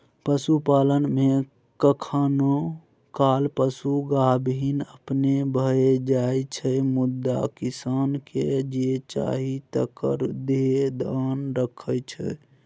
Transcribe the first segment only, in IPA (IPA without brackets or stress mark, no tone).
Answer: p